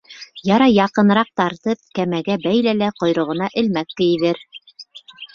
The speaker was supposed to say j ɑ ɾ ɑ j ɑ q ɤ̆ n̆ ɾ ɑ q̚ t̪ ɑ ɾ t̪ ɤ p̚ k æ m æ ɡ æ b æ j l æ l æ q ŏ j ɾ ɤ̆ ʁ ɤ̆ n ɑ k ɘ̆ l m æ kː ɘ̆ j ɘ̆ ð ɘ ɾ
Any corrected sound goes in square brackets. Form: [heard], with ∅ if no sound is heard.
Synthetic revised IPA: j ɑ ɾ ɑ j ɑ q ɤ̆ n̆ ɾ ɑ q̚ t̪ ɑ ɾ t̪ ɤ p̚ k æ m æ ɡ æ b æ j l æ l æ q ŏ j ɾ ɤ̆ ʁ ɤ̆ n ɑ [ʔ] ɘ̆ l m æ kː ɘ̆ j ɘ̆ ð ɘ ɾ